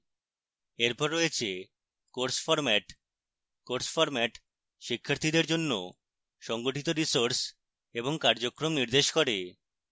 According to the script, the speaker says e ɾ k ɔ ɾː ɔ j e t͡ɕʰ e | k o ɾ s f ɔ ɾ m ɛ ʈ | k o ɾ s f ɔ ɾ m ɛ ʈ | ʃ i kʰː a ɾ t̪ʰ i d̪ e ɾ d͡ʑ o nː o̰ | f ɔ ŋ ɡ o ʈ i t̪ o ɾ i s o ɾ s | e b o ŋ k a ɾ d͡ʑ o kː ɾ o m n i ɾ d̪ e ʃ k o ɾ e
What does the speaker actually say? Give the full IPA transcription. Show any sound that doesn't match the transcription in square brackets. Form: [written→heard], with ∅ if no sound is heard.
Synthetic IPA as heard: e ɾ [k→p] ɔ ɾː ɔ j e t͡ɕʰ e | k o ɾ s f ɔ ɾ m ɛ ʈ | k o ɾ s f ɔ ɾ m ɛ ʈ | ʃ i kʰː a ɾ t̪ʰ i d̪ e ɾ d͡ʑ o nː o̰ | [f→ʃ] ɔ ŋ ɡ o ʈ i t̪ o ɾ i s o ɾ s | e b o ŋ k a ɾ d͡ʑ o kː ɾ o m n i ɾ d̪ e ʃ k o ɾ e